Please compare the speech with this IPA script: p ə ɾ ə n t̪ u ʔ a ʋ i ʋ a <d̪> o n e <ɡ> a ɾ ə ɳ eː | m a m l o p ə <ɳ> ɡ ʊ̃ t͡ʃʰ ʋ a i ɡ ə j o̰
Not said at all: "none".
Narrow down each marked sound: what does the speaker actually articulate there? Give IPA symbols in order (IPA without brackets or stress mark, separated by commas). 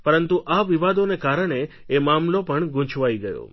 d̪, k, ɳ